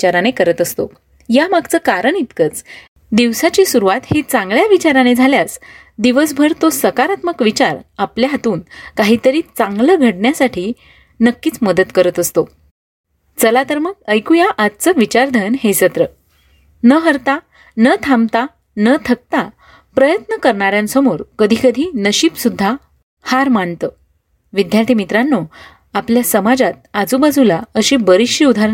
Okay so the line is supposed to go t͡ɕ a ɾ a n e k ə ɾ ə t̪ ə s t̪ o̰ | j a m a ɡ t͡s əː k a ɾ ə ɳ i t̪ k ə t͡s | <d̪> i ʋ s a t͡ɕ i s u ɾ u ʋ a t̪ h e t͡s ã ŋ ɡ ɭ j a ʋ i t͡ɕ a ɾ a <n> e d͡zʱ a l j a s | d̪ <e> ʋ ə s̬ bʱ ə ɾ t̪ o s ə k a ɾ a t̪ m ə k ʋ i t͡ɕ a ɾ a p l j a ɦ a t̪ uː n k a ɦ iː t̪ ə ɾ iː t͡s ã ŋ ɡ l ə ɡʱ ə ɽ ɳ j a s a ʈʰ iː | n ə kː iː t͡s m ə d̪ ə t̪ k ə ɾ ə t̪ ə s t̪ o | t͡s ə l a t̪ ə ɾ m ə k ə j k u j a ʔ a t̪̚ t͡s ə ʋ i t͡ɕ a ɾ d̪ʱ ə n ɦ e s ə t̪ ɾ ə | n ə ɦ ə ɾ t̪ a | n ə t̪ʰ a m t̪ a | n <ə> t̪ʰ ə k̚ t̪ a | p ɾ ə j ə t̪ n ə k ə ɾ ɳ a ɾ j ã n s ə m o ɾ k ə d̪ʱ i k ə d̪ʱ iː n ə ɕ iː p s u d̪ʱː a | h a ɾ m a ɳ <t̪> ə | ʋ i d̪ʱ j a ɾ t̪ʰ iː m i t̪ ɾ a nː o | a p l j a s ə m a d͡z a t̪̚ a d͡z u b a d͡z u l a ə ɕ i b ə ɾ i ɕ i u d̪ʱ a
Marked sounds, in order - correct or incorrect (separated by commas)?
correct, correct, incorrect, correct, correct